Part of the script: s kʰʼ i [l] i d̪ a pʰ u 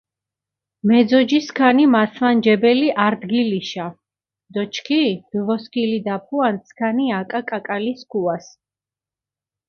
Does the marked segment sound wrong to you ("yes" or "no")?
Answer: no